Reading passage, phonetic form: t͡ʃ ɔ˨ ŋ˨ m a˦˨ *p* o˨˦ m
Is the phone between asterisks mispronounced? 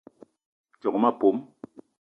no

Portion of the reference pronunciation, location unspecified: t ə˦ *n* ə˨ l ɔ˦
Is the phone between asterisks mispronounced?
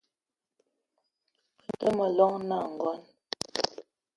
yes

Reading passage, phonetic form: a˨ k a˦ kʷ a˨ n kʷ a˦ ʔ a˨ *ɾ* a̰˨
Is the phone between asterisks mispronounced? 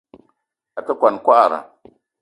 no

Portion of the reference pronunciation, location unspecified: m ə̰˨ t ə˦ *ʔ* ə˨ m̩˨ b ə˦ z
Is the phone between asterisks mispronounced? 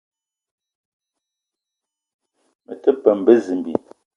yes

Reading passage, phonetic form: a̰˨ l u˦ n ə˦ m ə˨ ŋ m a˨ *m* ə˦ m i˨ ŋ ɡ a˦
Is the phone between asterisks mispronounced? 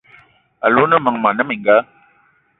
yes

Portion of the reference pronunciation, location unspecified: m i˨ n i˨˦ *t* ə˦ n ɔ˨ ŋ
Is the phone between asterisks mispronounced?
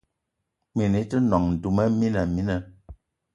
no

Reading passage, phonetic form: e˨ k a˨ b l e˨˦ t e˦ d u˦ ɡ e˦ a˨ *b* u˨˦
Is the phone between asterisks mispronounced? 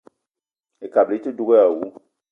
yes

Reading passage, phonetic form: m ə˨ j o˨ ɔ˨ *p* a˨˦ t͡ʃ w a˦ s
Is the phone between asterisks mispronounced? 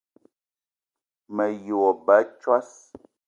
yes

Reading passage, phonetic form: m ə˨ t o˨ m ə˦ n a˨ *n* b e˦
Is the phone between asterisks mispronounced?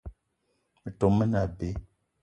yes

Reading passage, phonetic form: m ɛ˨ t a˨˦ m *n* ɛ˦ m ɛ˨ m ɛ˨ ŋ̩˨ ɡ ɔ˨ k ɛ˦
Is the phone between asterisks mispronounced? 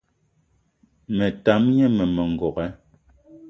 yes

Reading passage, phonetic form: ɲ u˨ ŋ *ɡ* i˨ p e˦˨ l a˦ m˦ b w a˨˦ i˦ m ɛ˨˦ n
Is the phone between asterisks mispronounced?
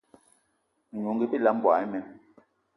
no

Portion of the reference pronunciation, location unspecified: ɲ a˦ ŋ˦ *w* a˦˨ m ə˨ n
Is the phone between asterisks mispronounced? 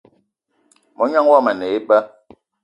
no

